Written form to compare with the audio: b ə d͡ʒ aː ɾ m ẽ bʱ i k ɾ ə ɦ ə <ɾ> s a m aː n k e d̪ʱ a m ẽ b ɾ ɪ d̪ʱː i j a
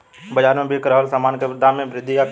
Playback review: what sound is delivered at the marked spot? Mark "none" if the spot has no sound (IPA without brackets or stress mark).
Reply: l